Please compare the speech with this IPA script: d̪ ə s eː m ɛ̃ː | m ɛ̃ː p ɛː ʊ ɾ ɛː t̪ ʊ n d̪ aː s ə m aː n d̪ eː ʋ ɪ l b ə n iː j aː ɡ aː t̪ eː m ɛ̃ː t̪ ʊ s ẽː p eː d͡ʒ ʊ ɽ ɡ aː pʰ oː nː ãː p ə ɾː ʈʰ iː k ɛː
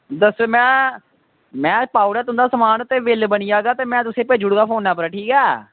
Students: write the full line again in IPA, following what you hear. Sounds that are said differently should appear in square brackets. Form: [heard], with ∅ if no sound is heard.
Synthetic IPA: d̪ ə s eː m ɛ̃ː | m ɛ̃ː p [aː] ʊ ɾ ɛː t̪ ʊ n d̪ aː s ə m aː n [t̪] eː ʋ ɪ l b ə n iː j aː ɡ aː t̪ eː m ɛ̃ː t̪ ʊ s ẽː p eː d͡ʒ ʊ ɽ ɡ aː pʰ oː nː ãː p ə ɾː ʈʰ iː k ɛː